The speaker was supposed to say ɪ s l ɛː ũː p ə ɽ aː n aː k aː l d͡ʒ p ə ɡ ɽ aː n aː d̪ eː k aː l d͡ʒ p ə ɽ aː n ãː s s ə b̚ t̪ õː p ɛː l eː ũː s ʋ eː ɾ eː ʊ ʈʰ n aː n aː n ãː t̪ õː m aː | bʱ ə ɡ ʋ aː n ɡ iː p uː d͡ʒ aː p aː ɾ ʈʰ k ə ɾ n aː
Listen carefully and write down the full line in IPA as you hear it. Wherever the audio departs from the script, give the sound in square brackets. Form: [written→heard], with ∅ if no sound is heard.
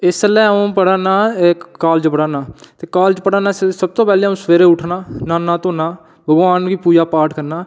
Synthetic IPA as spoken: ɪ s l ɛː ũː p ə ɽ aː n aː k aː l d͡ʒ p ə [ɡ→∅] ɽ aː n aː [d̪→t̪] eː k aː l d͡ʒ p ə ɽ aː n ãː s s ə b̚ t̪ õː p ɛː l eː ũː s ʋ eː ɾ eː ʊ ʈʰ n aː n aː n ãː t̪ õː [m→n] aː | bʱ ə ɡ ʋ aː n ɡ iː p uː d͡ʒ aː p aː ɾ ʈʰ k ə ɾ n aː